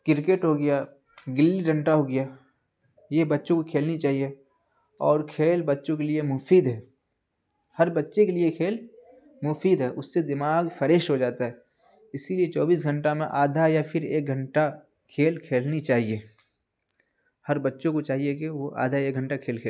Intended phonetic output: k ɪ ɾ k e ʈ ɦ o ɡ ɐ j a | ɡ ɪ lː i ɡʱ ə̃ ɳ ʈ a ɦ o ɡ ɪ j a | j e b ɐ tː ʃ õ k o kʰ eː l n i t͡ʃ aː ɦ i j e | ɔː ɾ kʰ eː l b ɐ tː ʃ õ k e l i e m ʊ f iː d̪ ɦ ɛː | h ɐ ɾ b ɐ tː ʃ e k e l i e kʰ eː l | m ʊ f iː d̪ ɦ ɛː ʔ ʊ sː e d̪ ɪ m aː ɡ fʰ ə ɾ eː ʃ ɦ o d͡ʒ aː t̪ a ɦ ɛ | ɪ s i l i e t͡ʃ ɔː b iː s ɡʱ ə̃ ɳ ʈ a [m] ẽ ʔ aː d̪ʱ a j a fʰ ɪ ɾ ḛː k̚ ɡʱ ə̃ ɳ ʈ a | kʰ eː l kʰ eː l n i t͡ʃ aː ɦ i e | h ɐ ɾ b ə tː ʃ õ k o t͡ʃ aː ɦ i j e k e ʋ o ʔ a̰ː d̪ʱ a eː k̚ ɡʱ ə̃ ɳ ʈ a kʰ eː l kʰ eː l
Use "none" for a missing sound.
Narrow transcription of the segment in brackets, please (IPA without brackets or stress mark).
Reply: m